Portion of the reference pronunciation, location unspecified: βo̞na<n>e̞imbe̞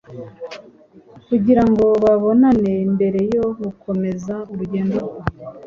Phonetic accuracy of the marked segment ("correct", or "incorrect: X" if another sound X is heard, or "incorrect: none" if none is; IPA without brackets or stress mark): correct